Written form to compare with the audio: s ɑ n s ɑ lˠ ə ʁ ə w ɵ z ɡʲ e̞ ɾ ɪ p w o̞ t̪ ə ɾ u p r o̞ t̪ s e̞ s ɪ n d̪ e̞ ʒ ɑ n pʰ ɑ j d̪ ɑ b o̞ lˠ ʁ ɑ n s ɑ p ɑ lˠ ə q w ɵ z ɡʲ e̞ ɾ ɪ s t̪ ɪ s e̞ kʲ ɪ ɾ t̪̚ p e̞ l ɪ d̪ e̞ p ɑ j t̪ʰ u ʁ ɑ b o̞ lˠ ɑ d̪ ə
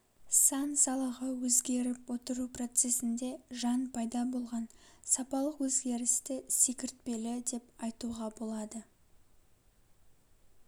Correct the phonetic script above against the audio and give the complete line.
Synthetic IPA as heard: s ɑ n s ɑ lˠ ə ʁ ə w ɵ z ɡʲ e̞ ɾ ɪ p w o̞ t̪ ə ɾ u p r o̞ t̪ s e̞ s ɪ n d̪ e̞ ʒ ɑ n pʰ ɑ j d̪ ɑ b o̞ lˠ ʁ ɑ n s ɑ p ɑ lˠ ə q w ɵ z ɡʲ e̞ ɾ ɪ s t̪ ɪ s e̞ kʲ ɪ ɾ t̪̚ p e̞ l ɪ d̪ e̞ p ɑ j t̪ u ʁ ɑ b o̞ lˠ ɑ d̪ ə

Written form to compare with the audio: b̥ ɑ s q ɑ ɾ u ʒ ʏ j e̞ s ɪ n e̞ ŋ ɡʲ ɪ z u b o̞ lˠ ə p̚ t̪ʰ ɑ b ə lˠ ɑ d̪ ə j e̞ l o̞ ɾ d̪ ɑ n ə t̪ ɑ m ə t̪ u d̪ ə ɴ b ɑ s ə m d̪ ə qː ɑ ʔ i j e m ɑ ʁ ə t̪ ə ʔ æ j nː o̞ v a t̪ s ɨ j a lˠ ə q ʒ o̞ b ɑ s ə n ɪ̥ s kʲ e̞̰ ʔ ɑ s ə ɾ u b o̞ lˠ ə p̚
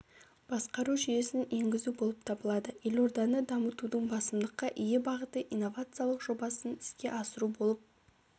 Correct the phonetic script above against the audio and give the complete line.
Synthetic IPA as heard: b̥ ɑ s q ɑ ɾ u ʒ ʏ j e̞ s ɪ n e̞ ŋ ɡʲ ɪ z u b o̞ lˠ ə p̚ t̪ʰ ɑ b ə lˠ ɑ d̪ ə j e̞ l o̞ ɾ d̪ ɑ n ə d̪ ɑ m ə t̪ u d̪ ə ɴ b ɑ s ə m d̪ ə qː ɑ ʔ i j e b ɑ ʁ ə t̪ ə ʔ i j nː o̞ v a t̪ s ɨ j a lˠ ə q ʒ o̞ b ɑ s ə n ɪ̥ s kʲ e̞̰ ʔ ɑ s ə ɾ u b o̞ lˠ ə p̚

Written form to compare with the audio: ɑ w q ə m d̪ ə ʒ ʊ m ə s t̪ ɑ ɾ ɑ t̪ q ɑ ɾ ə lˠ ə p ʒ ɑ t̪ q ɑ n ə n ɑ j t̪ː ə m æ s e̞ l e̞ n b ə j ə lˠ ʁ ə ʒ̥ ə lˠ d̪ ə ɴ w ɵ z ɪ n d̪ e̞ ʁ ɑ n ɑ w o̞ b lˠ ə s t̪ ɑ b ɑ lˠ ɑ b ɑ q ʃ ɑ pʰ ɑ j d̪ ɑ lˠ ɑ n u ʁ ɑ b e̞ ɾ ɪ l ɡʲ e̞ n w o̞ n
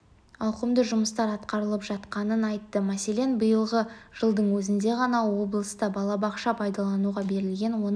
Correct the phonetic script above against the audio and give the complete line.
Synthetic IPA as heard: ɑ w q ə m d̪ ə ʒ ʊ m ə s t̪ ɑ ɾ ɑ t̪ q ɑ ɾ ə lˠ ə p ʒ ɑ t̪ q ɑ n ə n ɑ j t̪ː ə m æ s e̞ l e̞ n b ə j ə lˠ ʁ ə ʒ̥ ə lˠ d̪ ə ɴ w ɵ z ɪ n d̪ e̞ ʁ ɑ n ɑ w o̞ b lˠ ə s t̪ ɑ b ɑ lˠ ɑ b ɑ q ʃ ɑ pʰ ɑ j d̪ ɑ lˠ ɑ n u ʁ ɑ b e̞ ɾ ɪ l ɡʲ e̞ n w o̞ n

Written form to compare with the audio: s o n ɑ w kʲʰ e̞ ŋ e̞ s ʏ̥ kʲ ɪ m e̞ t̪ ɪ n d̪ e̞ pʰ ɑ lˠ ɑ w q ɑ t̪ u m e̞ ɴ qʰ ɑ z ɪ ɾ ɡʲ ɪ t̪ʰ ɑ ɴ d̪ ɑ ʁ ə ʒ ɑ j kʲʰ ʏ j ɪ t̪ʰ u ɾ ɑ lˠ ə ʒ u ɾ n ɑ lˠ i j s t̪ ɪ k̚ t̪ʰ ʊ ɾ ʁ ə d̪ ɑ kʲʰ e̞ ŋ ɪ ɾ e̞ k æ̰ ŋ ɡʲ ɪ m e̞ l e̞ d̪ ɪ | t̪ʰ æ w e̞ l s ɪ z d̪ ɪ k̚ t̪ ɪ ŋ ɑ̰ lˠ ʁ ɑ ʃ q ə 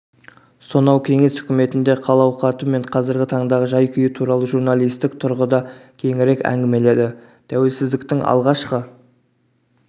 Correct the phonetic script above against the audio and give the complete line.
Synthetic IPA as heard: s o n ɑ w kʲʰ e̞ ŋ e̞ s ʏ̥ kʲ ɪ m e̞ t̪ ɪ n d̪ e̞ qʰ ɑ lˠ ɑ w q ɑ t̪ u m e̞ ɴ qʰ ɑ z ɪ ɾ ɡʲ ɪ t̪ʰ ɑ ɴ d̪ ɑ ʁ ə ʒ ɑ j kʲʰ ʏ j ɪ t̪ʰ u ɾ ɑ lˠ ə ʒ u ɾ n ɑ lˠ i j s t̪ ɪ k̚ t̪ʰ ʊ ɾ ʁ ə d̪ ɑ kʲʰ e̞ ŋ ɪ ɾ e̞ k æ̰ ŋ ɡʲ ɪ m e̞ l e̞ d̪ ɪ | t̪ʰ æ w e̞ l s ɪ z d̪ ɪ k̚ t̪ ɪ ŋ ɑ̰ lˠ ʁ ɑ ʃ q ə

